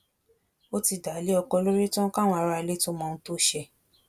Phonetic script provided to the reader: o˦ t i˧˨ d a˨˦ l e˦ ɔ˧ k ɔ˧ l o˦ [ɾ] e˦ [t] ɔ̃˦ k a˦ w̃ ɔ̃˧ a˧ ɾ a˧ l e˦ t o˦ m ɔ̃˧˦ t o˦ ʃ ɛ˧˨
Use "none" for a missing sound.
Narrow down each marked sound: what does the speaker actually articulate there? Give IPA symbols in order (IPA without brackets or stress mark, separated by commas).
ɾ, t